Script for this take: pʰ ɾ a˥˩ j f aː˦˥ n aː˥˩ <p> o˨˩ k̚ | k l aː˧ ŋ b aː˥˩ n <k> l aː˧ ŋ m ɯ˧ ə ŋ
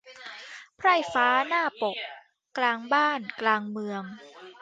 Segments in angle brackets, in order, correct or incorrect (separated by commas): correct, correct